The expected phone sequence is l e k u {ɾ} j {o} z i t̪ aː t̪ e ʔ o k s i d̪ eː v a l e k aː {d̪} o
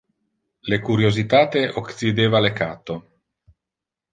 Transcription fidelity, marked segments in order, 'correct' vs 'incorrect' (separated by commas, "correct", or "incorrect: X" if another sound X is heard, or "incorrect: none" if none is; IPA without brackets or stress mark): correct, correct, incorrect: t̪